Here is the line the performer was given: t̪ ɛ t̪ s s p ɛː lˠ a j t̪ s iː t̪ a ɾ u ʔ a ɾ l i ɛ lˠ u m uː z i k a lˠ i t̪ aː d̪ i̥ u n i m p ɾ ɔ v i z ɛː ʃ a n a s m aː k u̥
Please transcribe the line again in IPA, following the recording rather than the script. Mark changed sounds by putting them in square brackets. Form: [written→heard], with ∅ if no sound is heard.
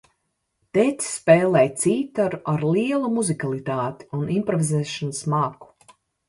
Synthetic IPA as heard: t̪ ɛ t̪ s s p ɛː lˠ [a→ɛ] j t̪ s iː t̪ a ɾ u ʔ a ɾ l i ɛ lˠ u m [uː→u] z i k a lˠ i t̪ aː [d̪→t̪] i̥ u n i m p ɾ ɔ v i z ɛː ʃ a n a s m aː k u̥